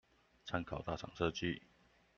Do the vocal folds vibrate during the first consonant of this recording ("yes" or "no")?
no